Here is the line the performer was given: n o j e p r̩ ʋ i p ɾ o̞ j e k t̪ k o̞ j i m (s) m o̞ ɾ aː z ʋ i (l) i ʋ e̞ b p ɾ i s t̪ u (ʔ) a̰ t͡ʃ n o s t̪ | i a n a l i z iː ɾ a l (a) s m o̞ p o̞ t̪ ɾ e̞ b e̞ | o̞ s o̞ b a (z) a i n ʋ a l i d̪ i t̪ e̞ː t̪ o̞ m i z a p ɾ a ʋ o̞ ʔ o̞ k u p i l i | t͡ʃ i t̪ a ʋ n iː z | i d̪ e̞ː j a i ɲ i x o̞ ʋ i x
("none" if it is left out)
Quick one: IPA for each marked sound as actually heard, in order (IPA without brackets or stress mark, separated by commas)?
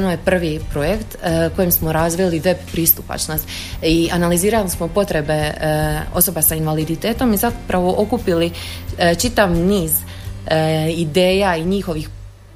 s, l, p, i, s